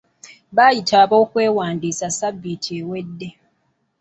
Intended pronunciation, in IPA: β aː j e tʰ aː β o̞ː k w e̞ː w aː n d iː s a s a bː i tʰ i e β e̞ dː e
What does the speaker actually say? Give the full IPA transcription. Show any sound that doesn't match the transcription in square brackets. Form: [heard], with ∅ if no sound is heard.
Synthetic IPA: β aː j [i] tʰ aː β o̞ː k w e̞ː w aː n d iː s a s a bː i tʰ i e [w] e̞ dː e